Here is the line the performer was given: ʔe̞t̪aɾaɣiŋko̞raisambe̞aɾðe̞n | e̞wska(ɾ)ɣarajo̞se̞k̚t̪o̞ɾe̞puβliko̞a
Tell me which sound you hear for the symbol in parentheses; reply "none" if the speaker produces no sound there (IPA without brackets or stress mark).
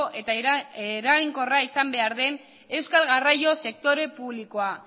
l